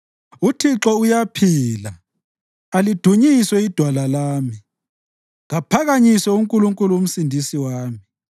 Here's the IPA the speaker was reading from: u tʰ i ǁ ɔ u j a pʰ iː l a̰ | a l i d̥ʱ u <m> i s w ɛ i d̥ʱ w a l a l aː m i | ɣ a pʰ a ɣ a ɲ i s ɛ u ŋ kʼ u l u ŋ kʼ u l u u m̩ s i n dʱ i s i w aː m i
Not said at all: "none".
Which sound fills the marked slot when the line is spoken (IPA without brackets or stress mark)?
ɲ